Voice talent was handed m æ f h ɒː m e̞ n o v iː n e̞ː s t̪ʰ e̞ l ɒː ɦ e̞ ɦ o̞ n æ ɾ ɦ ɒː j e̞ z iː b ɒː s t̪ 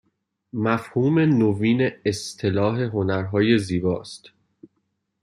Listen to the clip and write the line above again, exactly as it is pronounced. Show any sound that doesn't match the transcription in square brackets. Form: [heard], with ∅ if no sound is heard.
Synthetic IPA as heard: m æ f h [uː] m e̞ n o v iː n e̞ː s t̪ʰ e̞ l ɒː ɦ e̞ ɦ o̞ n æ ɾ ɦ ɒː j e̞ z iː b ɒː s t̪